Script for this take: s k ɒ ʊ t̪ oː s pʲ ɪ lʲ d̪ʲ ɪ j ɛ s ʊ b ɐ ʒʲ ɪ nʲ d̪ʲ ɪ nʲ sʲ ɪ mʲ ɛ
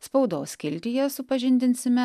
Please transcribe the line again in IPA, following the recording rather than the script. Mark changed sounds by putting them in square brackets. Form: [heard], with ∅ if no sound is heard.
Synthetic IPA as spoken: s [p] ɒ ʊ [d̪] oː s [kʲ] ɪ lʲ [t̪ʲ] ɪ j ɛ s ʊ [p] ɐ ʒʲ ɪ nʲ d̪ʲ ɪ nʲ sʲ ɪ mʲ ɛ

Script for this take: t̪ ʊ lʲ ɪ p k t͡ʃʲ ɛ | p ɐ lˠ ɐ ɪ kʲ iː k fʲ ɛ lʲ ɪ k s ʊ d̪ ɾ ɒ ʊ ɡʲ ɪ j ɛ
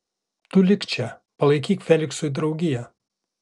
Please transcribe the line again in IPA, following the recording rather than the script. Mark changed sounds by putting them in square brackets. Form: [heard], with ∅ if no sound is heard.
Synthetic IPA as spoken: t̪ ʊ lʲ ɪ [∅] k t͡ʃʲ ɛ | p ɐ lˠ ɐ ɪ kʲ iː k fʲ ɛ lʲ ɪ k s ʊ d̪ ɾ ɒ ʊ ɡʲ ɪ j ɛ

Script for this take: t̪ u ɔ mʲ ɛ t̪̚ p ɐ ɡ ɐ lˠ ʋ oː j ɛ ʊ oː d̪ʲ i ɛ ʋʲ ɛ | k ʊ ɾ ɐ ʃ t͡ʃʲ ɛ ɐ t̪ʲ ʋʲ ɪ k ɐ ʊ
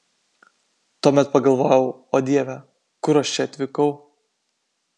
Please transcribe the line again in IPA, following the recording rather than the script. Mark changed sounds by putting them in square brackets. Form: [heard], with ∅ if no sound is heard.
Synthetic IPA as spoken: t̪ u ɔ mʲ ɛ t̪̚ p ɐ ɡ ɐ lˠ ʋ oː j ɛ ʊ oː d̪ʲ i ɛ ʋʲ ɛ | k ʊ ɾ ɐ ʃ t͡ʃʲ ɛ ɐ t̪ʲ ʋʲ ɪ k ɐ ʊ

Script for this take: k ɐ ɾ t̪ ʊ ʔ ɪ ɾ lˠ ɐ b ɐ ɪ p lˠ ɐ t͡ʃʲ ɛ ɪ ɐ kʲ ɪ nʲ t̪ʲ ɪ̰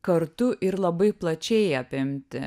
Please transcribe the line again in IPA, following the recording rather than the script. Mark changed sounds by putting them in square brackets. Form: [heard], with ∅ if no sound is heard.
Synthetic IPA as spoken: k ɐ ɾ t̪ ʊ ʔ ɪ ɾ lˠ ɐ b ɐ ɪ p lˠ ɐ t͡ʃʲ ɛ ɪ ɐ [pʲ] ɪ [mʲ] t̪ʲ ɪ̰

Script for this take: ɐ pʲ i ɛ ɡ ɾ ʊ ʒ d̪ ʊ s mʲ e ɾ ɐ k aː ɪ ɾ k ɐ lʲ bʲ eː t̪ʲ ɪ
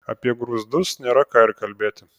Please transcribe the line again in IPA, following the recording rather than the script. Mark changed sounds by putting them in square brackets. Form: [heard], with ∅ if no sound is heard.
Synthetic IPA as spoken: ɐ pʲ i ɛ ɡ ɾ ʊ [z] d̪ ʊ s [nʲ] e ɾ ɐ k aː ɪ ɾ k ɐ lʲ bʲ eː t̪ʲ ɪ

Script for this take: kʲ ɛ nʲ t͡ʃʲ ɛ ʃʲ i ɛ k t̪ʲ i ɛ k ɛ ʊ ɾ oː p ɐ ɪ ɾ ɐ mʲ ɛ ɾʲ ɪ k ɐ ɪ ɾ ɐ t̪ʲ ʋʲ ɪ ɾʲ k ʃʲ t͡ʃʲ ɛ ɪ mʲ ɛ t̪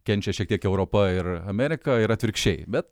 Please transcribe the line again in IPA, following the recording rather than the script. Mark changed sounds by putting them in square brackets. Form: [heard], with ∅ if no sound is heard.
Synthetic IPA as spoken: kʲ ɛ nʲ t͡ʃʲ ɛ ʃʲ i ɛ k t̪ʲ i ɛ k ɛ ʊ ɾ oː p ɐ ɪ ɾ ɐ mʲ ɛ ɾʲ ɪ k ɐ ɪ ɾ ɐ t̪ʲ ʋʲ ɪ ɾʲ k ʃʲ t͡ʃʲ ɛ ɪ [bʲ] ɛ t̪

